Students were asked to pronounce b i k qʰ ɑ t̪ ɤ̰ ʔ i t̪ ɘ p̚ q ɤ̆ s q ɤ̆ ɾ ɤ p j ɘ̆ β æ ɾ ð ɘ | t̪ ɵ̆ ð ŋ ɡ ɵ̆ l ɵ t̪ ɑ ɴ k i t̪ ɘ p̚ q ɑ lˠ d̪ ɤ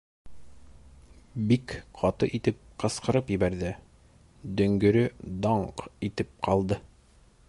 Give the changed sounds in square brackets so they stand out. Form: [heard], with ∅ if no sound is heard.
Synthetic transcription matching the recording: b i k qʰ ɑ t̪ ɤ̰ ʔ i t̪ ɘ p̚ q ɤ̆ s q ɤ̆ ɾ ɤ p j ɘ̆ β æ ɾ ð ɘ | [d̪] ɵ̆ [∅] ŋ ɡ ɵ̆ [ɾ] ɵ [d̪] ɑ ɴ [q] i t̪ ɘ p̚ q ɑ lˠ d̪ ɤ